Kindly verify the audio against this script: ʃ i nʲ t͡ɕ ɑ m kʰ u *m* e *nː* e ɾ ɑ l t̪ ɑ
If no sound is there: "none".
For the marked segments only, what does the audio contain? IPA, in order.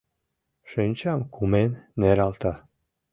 m, nː

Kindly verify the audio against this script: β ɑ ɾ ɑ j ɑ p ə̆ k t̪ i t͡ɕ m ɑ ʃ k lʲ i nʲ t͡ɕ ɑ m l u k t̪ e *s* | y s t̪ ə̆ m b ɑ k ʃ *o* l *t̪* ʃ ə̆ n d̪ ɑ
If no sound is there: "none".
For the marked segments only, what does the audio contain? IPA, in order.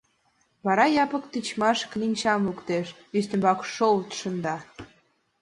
ʃ, o, t̪

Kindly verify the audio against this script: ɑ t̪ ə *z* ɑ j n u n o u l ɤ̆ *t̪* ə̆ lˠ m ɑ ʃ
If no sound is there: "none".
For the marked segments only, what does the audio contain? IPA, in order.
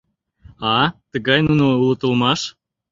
ɣ, t̪

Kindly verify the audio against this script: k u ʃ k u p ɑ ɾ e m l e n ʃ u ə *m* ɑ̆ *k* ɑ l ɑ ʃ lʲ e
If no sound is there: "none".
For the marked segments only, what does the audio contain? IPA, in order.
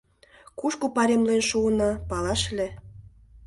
n, p

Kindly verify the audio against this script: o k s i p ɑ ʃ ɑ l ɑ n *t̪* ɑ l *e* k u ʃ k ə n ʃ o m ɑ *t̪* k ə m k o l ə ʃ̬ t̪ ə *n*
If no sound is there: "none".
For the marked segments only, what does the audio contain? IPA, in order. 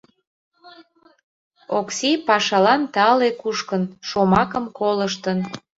t̪, e, none, n

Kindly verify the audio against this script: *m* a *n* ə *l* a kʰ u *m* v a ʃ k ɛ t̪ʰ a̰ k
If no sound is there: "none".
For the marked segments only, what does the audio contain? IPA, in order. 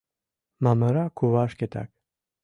m, m, ɾ, none

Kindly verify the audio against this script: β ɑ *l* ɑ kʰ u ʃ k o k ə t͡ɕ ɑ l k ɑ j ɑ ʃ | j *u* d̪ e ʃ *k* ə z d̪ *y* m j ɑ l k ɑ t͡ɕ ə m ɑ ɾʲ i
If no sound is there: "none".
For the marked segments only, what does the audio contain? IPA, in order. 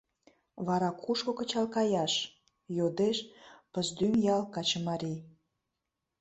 ɾ, o, p, y

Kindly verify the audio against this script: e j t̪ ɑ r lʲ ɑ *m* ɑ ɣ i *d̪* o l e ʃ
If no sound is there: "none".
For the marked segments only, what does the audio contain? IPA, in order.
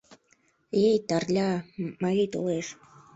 m, t̪

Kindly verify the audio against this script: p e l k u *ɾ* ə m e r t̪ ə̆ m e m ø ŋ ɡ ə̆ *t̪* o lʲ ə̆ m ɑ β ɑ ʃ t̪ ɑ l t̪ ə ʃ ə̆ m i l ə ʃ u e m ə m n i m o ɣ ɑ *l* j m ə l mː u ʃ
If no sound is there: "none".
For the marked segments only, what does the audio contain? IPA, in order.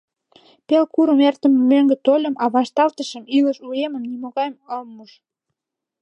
ɾ, t̪, none

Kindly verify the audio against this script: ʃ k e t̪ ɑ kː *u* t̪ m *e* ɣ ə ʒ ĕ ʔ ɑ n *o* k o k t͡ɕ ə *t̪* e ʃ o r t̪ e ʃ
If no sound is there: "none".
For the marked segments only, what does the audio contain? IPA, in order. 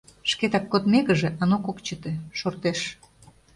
o, e, o, t̪

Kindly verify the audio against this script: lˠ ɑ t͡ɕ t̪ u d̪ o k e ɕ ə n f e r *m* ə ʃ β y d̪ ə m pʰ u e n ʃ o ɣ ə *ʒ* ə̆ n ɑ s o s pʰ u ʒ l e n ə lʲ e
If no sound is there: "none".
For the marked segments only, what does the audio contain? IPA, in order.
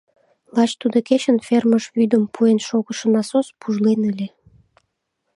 m, ʃ

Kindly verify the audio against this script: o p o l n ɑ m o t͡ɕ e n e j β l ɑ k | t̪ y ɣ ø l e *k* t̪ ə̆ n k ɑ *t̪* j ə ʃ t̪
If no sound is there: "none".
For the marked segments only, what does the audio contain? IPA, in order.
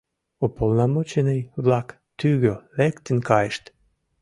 k, none

